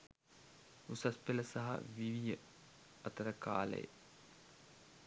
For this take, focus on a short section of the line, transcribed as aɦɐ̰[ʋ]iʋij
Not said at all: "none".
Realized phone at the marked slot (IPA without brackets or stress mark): ʋ